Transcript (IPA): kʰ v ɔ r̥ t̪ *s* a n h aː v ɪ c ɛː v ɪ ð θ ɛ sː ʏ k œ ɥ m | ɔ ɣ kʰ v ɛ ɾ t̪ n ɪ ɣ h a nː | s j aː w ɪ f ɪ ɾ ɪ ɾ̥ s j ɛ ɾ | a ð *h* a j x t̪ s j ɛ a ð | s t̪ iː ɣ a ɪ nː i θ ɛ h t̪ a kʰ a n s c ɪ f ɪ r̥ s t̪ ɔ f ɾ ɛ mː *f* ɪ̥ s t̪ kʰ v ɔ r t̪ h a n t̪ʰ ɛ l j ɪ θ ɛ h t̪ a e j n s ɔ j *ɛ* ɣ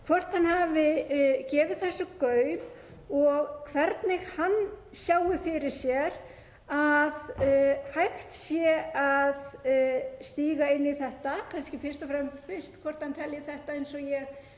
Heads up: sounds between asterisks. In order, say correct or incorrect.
incorrect: h, correct, correct, correct

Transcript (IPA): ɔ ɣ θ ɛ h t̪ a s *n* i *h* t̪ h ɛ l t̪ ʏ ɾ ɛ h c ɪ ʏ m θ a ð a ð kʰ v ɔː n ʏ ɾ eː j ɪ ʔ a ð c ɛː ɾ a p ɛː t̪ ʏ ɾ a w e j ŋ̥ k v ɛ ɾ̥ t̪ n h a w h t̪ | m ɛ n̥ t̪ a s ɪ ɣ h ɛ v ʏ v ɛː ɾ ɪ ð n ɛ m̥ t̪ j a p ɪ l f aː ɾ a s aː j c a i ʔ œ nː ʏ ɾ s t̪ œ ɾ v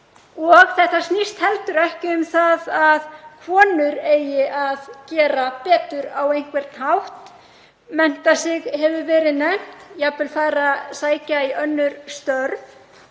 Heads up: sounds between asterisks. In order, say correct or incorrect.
correct, incorrect: s

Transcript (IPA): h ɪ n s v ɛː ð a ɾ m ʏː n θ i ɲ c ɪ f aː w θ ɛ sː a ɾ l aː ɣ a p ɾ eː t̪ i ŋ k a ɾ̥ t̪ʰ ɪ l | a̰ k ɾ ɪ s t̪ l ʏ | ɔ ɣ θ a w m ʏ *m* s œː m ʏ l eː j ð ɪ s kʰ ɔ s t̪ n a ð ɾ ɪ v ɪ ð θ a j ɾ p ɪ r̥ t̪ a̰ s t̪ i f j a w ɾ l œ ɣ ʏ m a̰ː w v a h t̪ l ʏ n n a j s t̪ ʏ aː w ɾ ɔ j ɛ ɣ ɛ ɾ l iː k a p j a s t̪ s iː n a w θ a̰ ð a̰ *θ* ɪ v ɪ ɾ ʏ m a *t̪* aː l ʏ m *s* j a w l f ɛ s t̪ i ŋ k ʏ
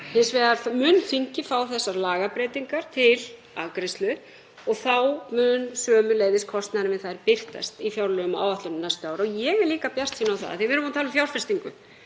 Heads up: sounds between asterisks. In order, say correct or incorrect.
incorrect: n, correct, incorrect: t̪ʰ, incorrect: f

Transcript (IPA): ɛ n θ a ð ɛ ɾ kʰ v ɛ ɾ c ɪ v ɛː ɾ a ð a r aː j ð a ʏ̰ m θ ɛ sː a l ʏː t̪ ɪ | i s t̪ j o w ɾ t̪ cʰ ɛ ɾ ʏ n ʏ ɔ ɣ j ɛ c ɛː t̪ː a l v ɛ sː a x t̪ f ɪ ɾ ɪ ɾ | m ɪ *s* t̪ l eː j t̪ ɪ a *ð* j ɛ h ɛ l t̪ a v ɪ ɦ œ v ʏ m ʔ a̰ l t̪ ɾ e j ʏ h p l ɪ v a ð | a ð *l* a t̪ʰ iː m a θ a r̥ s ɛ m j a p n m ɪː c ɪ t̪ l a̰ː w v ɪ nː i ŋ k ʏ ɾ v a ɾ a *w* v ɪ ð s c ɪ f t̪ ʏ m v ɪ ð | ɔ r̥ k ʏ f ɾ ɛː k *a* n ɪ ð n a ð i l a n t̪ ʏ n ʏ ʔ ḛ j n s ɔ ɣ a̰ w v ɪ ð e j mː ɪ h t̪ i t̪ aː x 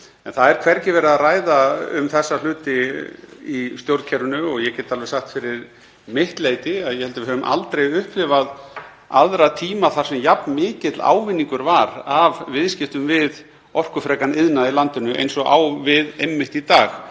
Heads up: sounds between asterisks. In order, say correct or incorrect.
incorrect: h, correct, incorrect: ɾ, incorrect: v, correct

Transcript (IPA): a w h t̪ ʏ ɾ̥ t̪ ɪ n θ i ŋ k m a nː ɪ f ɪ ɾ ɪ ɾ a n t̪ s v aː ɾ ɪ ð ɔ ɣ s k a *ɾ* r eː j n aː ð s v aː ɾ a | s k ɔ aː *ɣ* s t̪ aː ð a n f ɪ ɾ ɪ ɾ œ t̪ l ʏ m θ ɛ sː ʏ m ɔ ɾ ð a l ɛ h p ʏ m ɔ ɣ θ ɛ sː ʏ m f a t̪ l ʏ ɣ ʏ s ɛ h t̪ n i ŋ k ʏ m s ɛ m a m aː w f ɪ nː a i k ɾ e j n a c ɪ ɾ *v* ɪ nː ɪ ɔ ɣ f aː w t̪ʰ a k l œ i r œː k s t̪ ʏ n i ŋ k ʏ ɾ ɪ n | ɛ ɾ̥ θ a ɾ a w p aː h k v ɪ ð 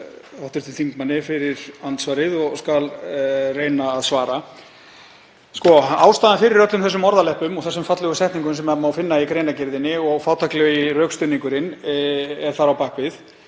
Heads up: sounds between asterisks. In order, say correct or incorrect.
incorrect: l, incorrect: w, incorrect: ð

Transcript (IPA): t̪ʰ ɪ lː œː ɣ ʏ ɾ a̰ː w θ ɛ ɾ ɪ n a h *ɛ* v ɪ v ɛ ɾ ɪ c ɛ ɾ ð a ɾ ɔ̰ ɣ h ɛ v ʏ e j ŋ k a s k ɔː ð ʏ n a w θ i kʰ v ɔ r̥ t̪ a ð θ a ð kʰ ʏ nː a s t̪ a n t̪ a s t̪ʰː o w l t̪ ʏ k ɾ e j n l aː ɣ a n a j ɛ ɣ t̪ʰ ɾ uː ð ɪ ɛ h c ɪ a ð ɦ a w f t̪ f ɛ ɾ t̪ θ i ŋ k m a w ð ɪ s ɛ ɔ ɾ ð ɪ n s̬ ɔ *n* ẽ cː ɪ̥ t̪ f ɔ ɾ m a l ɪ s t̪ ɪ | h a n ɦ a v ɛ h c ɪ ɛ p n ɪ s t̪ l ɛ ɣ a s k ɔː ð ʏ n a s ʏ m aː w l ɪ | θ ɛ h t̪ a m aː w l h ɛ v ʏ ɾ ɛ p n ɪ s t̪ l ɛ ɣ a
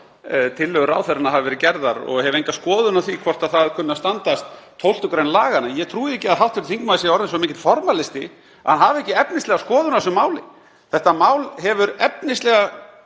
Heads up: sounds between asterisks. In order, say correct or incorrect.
incorrect: a, incorrect: m

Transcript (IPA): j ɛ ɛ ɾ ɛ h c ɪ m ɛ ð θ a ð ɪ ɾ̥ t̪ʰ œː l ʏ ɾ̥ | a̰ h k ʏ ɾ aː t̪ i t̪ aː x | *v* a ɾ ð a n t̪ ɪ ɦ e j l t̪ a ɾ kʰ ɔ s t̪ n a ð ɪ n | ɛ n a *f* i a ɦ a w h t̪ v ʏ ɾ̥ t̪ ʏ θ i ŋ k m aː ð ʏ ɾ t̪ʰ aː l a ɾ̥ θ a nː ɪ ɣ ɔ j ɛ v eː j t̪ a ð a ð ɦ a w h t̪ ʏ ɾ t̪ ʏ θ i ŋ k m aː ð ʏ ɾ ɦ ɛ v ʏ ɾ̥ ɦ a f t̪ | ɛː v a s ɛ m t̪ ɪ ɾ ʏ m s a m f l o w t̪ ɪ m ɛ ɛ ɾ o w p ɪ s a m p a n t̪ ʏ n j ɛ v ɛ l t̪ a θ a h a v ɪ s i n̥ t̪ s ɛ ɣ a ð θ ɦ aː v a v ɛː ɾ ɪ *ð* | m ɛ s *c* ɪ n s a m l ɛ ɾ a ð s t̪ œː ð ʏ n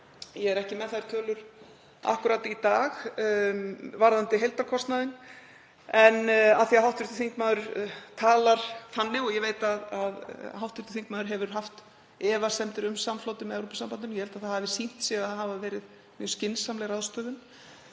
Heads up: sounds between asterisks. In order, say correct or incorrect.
correct, incorrect: θ, correct, correct

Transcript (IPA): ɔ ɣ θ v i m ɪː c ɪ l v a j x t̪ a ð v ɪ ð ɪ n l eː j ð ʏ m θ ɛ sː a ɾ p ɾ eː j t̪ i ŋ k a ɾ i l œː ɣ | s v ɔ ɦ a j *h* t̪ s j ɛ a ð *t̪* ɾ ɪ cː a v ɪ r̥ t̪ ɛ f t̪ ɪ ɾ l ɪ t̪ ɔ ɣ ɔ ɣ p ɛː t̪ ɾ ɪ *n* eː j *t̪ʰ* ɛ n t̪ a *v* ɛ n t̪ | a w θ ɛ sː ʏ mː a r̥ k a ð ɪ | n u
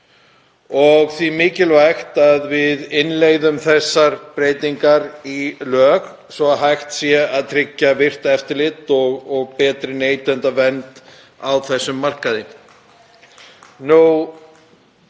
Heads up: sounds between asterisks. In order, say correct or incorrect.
incorrect: x, incorrect: t̪ʰ, correct, incorrect: t̪, correct

